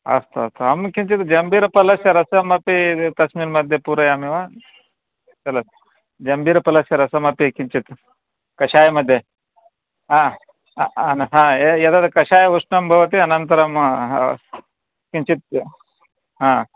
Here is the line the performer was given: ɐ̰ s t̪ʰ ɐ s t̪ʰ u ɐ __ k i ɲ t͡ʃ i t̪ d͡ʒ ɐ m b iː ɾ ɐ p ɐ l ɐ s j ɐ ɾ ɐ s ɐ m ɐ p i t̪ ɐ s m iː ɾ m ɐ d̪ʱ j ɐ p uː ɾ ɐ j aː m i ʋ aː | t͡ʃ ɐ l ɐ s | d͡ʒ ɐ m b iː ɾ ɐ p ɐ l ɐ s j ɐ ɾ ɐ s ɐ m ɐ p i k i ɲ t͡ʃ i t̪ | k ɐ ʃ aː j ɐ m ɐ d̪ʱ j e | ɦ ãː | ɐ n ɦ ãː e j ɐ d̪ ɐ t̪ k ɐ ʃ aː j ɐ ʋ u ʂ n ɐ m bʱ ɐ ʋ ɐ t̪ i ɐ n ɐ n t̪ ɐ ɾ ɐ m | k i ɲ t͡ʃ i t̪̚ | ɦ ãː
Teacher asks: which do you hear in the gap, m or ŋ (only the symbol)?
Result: m